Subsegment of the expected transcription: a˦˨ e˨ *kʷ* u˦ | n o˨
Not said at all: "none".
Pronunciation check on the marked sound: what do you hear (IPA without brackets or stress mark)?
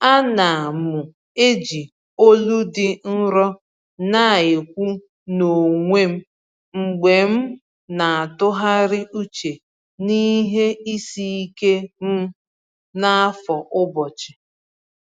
kʷ